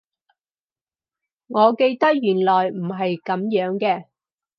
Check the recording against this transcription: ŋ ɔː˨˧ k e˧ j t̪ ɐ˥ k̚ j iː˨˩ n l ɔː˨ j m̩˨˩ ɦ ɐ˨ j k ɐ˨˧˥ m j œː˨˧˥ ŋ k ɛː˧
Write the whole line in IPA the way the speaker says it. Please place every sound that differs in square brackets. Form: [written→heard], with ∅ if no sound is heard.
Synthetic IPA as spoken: ŋ ɔː˨˧ k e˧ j t̪ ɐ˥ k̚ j [iː˨˩→yː˨˩] n l ɔː˨ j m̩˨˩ ɦ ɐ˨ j k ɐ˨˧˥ m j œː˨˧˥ ŋ k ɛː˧